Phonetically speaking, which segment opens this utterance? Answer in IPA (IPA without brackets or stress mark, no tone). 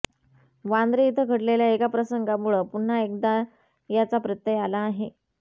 ʋ